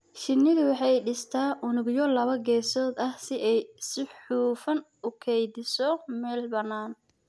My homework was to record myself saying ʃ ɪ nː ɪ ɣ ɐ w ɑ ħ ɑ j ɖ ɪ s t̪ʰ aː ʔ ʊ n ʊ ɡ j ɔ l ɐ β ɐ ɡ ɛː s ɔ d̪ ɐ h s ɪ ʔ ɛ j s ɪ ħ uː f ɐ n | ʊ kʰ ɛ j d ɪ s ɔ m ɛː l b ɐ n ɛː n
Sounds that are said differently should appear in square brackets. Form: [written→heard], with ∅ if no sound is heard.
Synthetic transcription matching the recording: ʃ ɪ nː ɪ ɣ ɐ w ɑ ħ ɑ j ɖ ɪ s t̪ʰ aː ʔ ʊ n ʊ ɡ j ɔ l ɐ β ɐ ɡ ɛː s [ɔ→ɔː] d̪ ɐ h s ɪ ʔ ɛ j s ɪ ħ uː f ɐ n | ʊ kʰ ɛ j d ɪ s ɔ m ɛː l b ɐ n [ɛː→aː] n